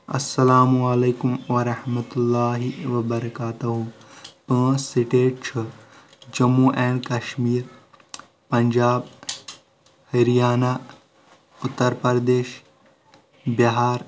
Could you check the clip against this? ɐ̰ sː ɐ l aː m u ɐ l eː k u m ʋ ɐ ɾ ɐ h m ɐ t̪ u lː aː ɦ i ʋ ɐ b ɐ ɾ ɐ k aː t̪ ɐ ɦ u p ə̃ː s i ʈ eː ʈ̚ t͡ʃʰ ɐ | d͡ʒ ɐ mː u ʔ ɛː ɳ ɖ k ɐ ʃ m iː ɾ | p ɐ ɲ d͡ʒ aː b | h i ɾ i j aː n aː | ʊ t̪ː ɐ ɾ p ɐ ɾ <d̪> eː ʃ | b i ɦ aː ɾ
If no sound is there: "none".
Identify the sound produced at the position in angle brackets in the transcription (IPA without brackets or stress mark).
d̪